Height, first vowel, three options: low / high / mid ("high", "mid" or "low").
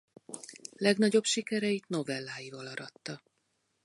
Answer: mid